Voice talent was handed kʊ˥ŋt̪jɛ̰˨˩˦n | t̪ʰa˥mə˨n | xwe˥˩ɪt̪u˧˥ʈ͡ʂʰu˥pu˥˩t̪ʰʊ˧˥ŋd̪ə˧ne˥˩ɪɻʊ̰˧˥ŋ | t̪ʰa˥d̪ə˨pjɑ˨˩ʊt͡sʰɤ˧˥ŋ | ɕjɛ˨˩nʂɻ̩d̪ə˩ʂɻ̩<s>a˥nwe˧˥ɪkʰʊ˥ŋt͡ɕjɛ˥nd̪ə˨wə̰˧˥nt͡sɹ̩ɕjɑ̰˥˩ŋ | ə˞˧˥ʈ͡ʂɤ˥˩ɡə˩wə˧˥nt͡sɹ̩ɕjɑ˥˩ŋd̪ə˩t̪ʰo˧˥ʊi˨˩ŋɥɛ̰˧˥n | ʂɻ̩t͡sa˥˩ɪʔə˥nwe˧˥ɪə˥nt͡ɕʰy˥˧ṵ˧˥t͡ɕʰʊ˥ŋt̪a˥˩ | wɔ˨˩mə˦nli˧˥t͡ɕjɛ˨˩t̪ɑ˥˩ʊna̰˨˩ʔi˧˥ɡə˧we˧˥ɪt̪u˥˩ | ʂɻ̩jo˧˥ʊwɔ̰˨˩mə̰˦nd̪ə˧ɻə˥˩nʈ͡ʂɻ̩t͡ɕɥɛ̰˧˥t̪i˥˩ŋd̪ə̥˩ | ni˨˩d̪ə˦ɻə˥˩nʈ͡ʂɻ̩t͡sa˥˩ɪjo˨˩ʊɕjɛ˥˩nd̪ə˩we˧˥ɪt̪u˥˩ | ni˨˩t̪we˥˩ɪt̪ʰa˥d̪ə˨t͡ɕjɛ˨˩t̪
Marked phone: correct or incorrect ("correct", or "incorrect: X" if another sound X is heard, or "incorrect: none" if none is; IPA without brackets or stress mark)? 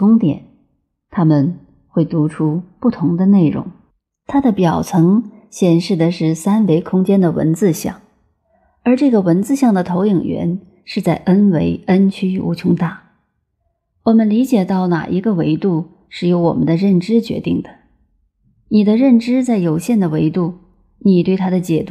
correct